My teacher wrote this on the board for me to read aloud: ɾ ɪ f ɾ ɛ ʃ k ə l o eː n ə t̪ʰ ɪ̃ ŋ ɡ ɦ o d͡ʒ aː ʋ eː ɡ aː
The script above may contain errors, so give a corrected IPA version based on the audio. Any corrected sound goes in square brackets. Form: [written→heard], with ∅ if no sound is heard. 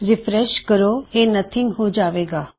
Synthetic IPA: ɾ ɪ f ɾ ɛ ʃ k ə [l→ɾ] o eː n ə t̪ʰ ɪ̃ ŋ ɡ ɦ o d͡ʒ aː ʋ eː ɡ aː

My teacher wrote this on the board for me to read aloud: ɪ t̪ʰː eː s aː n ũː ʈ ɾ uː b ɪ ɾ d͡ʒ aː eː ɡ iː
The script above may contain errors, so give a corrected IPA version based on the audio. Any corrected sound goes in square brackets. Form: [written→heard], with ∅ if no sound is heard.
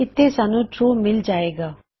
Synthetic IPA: ɪ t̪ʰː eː s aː n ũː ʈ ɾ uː [b→m] ɪ [ɾ→l] d͡ʒ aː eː ɡ [iː→aː]

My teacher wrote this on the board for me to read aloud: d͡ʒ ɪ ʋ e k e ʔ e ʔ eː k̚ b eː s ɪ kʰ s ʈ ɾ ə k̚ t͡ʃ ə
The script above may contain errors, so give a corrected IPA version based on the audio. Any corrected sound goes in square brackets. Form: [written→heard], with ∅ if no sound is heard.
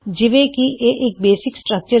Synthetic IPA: d͡ʒ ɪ ʋ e k [e→i] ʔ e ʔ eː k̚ b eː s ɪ [kʰ→k] s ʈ ɾ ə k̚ t͡ʃ ə

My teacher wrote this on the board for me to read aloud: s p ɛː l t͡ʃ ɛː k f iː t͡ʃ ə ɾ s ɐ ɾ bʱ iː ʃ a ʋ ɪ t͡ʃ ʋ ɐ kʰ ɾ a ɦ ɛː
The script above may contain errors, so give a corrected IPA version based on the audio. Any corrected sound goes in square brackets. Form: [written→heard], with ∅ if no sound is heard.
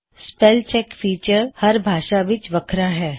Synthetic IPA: s p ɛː l t͡ʃ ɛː k f iː t͡ʃ ə ɾ [s→h] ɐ ɾ bʱ [iː→aː] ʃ a ʋ ɪ t͡ʃ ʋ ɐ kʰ ɾ a ɦ ɛː

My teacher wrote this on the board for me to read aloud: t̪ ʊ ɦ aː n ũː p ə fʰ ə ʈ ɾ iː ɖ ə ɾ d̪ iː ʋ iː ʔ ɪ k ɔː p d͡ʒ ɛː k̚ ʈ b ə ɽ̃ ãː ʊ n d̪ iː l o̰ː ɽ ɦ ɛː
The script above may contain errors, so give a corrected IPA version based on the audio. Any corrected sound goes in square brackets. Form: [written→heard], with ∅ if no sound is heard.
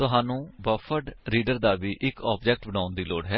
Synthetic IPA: t̪ ʊ ɦ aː n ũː [p→b] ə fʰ ə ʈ ɾ iː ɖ ə ɾ d̪ [iː→aː] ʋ iː ʔ ɪ k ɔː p d͡ʒ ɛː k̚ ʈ b ə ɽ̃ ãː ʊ n d̪ iː l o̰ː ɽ ɦ ɛː

